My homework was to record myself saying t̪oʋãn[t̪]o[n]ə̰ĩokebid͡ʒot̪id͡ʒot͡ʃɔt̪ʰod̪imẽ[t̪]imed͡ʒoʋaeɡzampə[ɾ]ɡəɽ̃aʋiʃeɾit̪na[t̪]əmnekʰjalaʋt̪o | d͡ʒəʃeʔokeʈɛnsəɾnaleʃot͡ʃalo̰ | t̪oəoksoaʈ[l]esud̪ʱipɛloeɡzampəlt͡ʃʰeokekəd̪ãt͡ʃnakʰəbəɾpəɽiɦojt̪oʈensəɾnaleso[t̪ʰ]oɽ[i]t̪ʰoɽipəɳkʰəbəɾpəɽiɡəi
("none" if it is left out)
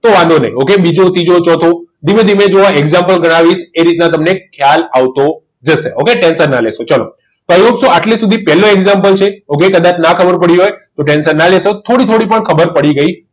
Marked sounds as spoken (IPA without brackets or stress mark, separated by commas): d̪, n, d̪, l, t̪, l, t̪ʰ, i